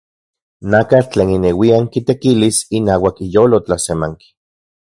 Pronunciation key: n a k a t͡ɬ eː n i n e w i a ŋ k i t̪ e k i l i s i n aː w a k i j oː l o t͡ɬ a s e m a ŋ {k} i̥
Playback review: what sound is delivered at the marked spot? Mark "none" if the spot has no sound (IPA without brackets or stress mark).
k